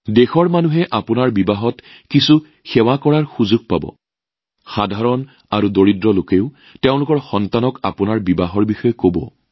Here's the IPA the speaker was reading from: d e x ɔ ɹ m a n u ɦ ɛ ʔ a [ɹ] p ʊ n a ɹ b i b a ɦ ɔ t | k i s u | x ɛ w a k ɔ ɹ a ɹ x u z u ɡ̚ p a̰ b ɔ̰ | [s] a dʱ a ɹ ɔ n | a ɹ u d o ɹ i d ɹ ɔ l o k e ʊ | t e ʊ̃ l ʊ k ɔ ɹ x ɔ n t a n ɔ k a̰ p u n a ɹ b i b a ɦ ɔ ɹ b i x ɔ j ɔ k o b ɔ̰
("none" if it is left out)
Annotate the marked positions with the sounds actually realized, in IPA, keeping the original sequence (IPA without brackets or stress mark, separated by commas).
none, x